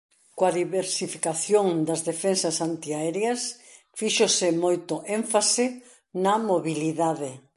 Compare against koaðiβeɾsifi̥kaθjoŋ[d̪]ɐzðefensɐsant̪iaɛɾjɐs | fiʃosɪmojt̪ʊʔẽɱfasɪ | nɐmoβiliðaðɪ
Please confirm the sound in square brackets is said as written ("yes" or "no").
yes